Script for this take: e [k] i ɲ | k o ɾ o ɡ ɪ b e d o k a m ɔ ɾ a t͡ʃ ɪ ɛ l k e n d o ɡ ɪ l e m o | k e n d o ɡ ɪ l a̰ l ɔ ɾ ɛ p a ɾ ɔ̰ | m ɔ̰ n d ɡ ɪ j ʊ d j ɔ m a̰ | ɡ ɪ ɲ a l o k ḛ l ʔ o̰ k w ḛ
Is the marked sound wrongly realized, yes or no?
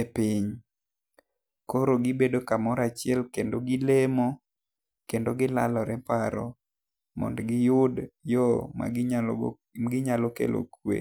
yes